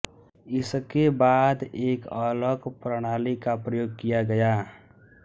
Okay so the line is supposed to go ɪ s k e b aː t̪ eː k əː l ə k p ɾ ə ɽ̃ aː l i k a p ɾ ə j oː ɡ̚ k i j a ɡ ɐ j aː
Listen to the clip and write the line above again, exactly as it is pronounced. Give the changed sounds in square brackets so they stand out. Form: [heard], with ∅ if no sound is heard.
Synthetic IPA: ɪ s k e b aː [d̪] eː k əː l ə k p ɾ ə ɽ̃ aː l i k a p ɾ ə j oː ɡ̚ k i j a ɡ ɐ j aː